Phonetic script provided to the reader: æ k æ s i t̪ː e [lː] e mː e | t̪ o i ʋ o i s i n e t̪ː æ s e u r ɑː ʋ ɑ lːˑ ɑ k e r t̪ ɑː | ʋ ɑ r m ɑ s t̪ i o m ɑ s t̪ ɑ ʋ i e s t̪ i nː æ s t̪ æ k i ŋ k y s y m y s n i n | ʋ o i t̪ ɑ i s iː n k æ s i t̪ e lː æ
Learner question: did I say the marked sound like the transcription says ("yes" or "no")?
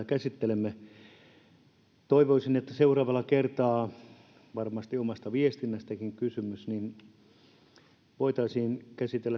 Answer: no